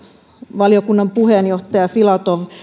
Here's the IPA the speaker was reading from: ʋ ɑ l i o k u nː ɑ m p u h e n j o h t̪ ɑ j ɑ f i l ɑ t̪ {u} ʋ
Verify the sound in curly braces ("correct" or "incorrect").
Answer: incorrect